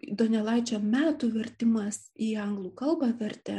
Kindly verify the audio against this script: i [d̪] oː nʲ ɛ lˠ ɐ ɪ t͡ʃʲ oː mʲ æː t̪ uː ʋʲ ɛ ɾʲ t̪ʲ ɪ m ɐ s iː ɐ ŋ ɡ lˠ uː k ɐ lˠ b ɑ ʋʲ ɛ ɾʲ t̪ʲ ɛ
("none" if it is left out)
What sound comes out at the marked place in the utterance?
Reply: d̪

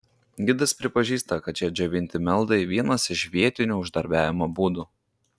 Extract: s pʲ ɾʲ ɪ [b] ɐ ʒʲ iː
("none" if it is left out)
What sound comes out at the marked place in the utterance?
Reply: p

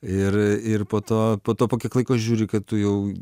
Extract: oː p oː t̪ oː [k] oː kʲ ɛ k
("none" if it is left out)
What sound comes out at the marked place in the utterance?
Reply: p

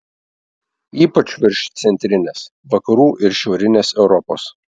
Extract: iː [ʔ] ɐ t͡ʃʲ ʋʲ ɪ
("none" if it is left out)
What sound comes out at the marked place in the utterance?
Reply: p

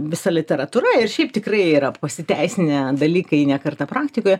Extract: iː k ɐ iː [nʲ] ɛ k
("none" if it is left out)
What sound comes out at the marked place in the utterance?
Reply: nʲ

